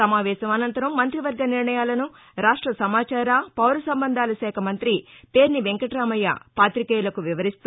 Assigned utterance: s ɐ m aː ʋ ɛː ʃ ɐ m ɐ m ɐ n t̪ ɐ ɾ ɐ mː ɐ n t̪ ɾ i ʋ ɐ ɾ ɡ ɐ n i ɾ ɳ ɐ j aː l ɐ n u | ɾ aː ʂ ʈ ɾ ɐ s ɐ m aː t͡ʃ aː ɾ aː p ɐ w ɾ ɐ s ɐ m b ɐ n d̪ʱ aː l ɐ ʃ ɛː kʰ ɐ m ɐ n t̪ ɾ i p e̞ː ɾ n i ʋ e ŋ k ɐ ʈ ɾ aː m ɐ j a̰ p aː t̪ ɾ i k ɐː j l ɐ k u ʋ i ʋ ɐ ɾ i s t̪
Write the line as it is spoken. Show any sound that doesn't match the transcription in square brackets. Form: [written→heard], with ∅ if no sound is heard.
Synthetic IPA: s ɐ m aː ʋ ɛː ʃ ɐ m ɐ [m→n] ɐ n t̪ ɐ ɾ ɐ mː ɐ n t̪ ɾ i ʋ ɐ ɾ ɡ ɐ n i ɾ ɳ ɐ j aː l ɐ n u | ɾ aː ʂ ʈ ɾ ɐ s ɐ m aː t͡ʃ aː ɾ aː p ɐ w ɾ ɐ s ɐ m b ɐ n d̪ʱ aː l ɐ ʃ ɛː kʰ ɐ m ɐ n t̪ ɾ i p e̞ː ɾ n i ʋ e ŋ k ɐ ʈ ɾ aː m ɐ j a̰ p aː t̪ ɾ i k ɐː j l ɐ k u ʋ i ʋ ɐ ɾ i s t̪